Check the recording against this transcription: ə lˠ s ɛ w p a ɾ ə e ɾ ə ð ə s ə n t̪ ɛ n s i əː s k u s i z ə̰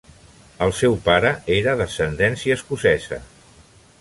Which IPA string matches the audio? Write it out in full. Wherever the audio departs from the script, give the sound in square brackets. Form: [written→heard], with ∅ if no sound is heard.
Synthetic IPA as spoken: ə lˠ s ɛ w p a ɾ ə e ɾ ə ð ə s ə n [t̪→d̪] ɛ n s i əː s k u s [i→ɛ] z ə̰